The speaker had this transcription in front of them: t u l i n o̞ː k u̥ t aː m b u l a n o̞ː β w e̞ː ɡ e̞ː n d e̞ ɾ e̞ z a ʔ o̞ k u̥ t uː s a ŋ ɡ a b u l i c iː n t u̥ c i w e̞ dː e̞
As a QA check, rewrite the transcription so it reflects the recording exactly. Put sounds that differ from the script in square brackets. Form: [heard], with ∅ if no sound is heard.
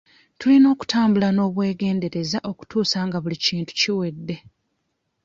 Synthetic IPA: t u l i n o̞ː k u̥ t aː m b u l a n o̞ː β w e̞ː ɡ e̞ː n d e̞ ɾ e̞ z a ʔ o̞ k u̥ t uː s a ŋ ɡ a [β] u l i c iː n t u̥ c i w e̞ dː e̞